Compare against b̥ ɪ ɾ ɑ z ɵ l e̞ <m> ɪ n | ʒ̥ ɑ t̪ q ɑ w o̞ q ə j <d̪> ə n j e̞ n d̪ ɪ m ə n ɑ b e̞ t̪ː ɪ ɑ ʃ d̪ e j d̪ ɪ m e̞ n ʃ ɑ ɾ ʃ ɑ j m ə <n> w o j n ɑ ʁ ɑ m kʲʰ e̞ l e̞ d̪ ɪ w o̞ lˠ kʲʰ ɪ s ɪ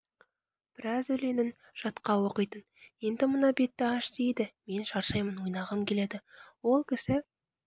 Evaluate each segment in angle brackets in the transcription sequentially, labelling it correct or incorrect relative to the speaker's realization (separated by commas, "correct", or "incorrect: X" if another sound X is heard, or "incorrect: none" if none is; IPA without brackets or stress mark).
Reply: incorrect: n, incorrect: t̪, correct